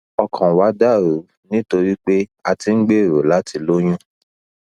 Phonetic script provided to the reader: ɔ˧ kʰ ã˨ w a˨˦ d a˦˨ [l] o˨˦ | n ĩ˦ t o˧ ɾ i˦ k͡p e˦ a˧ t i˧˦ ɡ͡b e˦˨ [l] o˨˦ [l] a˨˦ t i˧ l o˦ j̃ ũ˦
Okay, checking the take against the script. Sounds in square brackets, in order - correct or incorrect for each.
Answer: incorrect, incorrect, correct

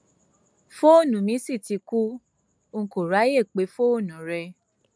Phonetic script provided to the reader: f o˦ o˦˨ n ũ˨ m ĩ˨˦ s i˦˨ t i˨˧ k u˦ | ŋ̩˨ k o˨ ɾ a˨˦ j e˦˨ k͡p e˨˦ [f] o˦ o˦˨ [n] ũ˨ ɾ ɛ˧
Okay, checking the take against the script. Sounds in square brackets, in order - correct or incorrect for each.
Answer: correct, correct

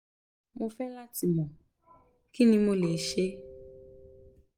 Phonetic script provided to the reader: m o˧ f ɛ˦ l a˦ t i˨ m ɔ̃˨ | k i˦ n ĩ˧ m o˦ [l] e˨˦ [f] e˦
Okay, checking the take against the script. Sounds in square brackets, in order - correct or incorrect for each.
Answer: correct, incorrect

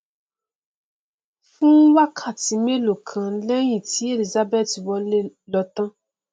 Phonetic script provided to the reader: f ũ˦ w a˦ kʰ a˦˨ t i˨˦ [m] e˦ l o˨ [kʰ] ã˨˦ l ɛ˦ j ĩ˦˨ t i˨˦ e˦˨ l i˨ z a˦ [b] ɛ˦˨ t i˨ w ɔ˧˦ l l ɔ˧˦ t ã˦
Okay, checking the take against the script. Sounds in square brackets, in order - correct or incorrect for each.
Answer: correct, correct, correct

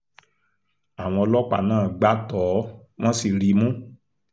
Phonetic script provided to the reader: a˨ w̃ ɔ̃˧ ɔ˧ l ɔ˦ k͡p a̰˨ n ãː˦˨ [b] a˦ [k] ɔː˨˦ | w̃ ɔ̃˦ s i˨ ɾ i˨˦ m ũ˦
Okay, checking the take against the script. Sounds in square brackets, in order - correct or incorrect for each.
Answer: incorrect, incorrect

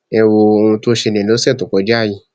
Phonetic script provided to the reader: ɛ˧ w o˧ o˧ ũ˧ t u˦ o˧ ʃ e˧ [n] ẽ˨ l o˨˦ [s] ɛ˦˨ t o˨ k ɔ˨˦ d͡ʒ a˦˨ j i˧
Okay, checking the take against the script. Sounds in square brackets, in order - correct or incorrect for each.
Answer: correct, correct

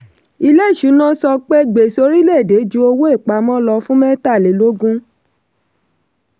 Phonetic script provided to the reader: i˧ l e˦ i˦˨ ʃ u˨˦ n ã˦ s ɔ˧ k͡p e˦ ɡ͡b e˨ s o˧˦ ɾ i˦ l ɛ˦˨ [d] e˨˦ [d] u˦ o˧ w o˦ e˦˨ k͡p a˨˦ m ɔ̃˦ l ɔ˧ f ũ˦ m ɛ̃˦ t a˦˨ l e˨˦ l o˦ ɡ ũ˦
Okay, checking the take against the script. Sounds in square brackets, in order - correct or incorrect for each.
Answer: correct, incorrect

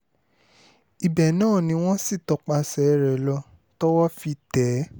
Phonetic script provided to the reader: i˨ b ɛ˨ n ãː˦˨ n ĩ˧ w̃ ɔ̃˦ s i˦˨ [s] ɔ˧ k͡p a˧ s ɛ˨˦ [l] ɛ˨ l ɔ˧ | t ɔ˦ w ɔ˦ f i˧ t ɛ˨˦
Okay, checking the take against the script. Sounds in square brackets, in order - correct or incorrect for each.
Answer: incorrect, incorrect

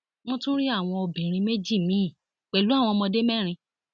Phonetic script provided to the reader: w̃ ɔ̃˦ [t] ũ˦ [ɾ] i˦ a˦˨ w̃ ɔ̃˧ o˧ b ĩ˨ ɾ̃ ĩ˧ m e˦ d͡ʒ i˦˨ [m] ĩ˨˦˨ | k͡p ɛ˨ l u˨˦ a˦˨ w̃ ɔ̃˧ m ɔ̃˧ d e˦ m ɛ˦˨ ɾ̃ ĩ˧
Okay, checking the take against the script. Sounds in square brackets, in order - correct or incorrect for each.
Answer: correct, correct, correct

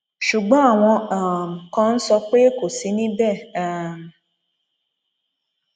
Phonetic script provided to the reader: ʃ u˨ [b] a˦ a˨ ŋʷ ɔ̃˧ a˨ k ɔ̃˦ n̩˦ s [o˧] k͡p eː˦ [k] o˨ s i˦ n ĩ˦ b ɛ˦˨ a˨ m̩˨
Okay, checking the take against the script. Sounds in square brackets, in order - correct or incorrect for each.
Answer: incorrect, incorrect, correct

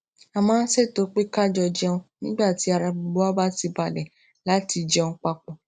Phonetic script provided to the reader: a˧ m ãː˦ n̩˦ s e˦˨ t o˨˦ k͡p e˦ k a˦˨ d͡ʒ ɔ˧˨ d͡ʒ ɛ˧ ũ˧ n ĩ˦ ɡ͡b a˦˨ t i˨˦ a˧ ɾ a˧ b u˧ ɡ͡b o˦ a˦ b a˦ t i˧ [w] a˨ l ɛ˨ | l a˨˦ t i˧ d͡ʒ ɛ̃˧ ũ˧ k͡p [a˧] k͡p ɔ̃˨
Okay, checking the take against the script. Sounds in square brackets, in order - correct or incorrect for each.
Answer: incorrect, correct

